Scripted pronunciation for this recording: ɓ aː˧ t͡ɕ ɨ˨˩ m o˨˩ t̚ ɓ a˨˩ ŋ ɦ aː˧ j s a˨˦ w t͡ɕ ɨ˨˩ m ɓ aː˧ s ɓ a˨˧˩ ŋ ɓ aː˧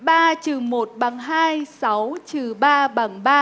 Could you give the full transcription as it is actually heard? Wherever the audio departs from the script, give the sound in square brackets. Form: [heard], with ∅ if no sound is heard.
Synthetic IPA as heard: ɓ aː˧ t͡ɕ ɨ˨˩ m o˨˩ t̚ ɓ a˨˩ ŋ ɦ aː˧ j s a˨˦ w t͡ɕ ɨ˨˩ [∅] ɓ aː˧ [∅] ɓ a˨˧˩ ŋ ɓ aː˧